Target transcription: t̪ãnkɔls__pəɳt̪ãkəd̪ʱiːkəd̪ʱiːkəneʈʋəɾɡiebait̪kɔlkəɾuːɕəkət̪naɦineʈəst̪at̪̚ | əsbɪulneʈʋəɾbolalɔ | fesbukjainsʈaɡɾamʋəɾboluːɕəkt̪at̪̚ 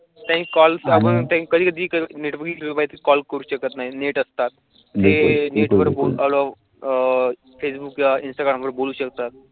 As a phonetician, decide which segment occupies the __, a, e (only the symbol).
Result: a